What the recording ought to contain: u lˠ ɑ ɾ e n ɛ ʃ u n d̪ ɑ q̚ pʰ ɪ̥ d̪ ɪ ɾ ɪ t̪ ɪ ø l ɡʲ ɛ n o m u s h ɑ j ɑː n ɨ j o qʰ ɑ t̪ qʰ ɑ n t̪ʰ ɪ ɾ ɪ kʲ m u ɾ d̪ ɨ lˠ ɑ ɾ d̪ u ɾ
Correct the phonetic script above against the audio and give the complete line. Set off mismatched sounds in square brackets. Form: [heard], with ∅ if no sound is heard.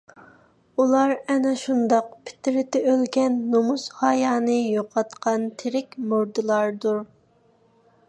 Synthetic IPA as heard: u lˠ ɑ ɾ [ɛ] n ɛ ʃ u n d̪ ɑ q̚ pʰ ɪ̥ [t̪] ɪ ɾ ɪ t̪ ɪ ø l ɡʲ ɛ [nː] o m u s h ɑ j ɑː n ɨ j o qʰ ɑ t̪ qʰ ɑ n t̪ʰ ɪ ɾ ɪ kʲ m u ɾ d̪ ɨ lˠ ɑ ɾ d̪ u ɾ